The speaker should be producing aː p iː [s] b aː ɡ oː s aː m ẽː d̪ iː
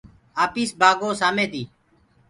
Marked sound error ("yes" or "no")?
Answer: no